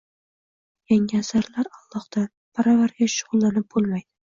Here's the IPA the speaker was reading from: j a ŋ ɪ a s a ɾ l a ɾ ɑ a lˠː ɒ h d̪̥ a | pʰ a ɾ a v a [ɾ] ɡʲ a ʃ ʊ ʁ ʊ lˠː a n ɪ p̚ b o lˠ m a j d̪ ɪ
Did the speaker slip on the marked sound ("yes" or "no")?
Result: no